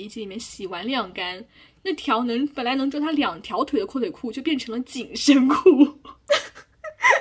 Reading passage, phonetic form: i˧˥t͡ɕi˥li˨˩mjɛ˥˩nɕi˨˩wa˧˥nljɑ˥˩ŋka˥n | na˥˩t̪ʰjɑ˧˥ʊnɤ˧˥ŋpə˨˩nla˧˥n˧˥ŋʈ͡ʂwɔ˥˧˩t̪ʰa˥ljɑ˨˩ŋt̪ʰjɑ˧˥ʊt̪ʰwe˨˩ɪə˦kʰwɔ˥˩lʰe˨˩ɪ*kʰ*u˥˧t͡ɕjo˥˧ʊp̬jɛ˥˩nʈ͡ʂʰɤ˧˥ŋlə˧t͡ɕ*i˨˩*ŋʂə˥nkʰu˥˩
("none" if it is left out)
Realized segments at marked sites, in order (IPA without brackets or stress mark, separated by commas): kʰ, i˨˩